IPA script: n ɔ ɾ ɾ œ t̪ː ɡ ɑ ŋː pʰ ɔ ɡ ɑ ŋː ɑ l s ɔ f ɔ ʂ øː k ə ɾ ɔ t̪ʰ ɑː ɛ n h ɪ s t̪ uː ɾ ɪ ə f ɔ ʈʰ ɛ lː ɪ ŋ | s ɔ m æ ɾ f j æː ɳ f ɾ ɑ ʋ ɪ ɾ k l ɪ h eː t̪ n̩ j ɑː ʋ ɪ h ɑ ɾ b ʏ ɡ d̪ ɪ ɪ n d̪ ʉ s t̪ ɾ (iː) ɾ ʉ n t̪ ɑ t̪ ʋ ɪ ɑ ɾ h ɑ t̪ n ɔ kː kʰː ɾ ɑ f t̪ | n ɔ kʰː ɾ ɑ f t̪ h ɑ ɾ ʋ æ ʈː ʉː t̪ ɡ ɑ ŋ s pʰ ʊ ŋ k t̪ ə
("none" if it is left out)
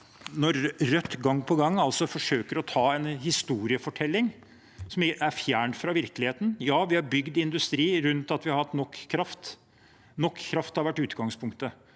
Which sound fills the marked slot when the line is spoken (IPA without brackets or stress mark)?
iː